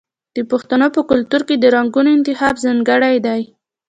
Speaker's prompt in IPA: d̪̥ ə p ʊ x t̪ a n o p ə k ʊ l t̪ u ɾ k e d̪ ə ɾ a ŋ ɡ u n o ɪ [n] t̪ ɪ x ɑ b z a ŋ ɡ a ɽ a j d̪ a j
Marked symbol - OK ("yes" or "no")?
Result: yes